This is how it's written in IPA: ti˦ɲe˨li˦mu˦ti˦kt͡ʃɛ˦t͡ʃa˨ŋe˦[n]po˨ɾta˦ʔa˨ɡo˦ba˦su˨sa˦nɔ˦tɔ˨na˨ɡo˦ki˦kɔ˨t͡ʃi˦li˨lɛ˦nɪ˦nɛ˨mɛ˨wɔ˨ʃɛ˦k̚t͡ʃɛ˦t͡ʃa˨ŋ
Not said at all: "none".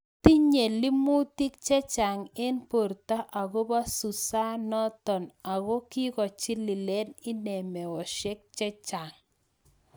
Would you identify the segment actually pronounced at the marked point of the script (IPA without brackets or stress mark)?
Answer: n